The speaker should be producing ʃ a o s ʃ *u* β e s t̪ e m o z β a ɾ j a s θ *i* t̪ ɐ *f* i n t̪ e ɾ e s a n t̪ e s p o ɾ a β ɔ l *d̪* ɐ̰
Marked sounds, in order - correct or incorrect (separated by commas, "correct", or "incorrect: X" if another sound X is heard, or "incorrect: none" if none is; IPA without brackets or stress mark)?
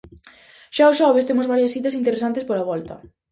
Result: incorrect: ɔ, correct, incorrect: s, incorrect: t̪